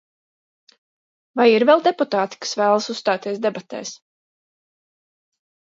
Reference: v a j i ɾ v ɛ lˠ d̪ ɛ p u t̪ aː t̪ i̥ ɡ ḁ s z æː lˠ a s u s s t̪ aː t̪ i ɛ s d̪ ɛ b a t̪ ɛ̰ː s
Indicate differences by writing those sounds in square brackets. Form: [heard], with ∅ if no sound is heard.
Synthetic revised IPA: v a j i ɾ v ɛ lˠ d̪ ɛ p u t̪ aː t̪ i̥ [k] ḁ s [v] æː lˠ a s u s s t̪ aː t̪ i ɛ s d̪ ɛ b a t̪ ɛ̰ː s

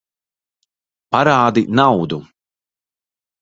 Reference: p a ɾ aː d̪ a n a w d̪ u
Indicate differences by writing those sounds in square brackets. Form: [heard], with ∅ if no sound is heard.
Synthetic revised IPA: p a ɾ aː d̪ [i] n a w d̪ u

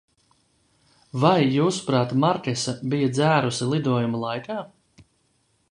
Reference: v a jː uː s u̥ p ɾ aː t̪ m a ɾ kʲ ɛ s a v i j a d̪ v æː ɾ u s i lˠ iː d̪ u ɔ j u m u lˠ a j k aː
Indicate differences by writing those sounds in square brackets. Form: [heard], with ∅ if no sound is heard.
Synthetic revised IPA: v a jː uː s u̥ p ɾ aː t̪ m a ɾ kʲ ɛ s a [b] i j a d̪ [z] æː ɾ u s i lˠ [i] d̪ u ɔ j u m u lˠ a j k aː

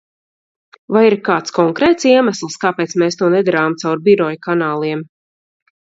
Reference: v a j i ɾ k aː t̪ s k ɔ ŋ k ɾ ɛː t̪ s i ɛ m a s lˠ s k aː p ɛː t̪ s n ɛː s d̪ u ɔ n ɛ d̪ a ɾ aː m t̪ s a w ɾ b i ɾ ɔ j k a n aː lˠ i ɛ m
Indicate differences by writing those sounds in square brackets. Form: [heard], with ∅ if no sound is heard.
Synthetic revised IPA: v a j i ɾ k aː t̪ s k ɔ ŋ k ɾ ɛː t̪ s i ɛ m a s lˠ s k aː p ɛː t̪ s [m] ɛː s [t̪] u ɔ n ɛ d̪ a ɾ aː m t̪ s a w ɾ b i ɾ ɔ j k a n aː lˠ i ɛ m

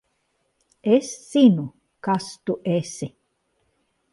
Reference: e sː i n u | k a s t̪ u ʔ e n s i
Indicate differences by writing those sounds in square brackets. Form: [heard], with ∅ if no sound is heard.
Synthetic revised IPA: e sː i n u | k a s t̪ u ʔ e [∅] s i

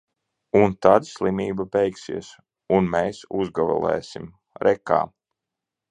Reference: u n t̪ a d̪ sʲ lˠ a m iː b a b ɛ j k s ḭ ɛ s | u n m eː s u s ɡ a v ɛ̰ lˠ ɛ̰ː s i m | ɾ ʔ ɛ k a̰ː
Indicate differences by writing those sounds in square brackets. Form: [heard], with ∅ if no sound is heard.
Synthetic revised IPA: u n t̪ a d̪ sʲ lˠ [i] m iː b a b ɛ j k s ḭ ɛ s | u n m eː s u [z] ɡ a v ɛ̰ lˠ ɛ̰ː s i m | ɾ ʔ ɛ k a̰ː

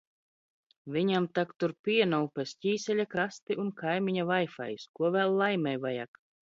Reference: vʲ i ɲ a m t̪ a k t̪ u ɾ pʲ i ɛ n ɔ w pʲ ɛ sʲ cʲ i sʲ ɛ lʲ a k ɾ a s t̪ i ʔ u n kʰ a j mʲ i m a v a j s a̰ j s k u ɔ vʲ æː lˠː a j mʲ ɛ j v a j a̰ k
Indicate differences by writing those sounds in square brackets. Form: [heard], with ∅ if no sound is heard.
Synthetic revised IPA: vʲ i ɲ a m t̪ a k t̪ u ɾ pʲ i ɛ n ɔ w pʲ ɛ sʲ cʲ [iː] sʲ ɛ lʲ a k ɾ a s t̪ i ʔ u n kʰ a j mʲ i [ɲ] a v a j [f] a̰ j s k u ɔ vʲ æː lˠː a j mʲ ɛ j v a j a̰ k

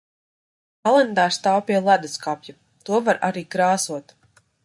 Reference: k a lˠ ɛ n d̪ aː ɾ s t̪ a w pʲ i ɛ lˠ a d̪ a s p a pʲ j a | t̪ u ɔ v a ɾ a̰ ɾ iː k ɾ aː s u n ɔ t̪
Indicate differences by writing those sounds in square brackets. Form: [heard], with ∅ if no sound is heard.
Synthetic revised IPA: k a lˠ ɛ n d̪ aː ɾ s t̪ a w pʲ i ɛ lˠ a d̪ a s [k] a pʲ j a | t̪ u ɔ v a ɾ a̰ ɾ iː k ɾ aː s u [∅] ɔ t̪

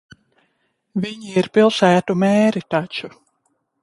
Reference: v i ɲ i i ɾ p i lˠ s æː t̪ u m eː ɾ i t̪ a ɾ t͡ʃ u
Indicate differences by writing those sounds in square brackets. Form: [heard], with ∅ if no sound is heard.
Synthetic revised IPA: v i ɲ i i ɾ p i lˠ s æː t̪ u m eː ɾ i t̪ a [∅] t͡ʃ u

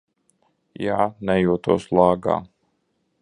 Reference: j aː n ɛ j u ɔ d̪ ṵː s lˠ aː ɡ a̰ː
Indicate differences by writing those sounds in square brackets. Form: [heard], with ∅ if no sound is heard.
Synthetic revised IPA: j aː n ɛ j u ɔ [t̪] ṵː s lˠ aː ɡ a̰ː

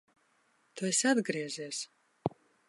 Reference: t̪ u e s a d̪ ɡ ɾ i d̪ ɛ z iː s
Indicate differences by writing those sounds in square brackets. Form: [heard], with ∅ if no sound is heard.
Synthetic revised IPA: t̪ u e s a d̪ ɡ ɾ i [∅] ɛ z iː s

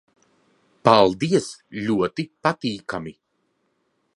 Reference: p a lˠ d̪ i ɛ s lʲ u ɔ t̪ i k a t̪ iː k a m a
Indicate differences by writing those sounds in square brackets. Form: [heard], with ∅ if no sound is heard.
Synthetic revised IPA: p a lˠ d̪ i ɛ s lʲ u ɔ t̪ i [p] a t̪ iː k a m [i]

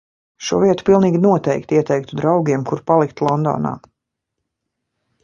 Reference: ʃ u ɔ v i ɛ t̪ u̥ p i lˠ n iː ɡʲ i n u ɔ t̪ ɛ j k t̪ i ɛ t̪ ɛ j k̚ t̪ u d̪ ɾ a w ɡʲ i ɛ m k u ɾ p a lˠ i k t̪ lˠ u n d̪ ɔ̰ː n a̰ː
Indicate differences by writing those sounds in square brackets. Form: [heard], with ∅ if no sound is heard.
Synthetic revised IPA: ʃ u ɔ v i ɛ t̪ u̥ p i lˠ n iː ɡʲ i n u ɔ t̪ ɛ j k t̪ i ɛ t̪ ɛ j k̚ t̪ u d̪ ɾ a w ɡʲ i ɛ m k u ɾ p a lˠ i k t̪ lˠ [ɔ] n d̪ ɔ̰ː n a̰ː

